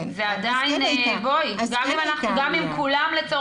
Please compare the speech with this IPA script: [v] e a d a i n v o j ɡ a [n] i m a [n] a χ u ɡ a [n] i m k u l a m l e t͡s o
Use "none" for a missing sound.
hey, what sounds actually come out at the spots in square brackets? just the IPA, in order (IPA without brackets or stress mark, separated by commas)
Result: z, m, n, m